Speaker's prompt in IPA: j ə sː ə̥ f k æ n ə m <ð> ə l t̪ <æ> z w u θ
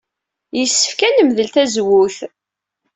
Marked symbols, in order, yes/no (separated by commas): yes, yes